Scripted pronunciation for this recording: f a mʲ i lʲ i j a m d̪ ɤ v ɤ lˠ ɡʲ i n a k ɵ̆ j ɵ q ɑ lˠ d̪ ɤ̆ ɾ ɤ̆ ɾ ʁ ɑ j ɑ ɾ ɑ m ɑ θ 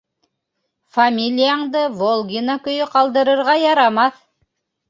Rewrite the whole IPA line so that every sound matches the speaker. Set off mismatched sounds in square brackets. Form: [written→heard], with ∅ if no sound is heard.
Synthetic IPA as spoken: f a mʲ i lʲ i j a [m→ɴ] d̪ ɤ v [ɤ→o] lˠ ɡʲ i n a k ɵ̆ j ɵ q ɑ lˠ d̪ ɤ̆ ɾ ɤ̆ ɾ ʁ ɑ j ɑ ɾ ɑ m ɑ θ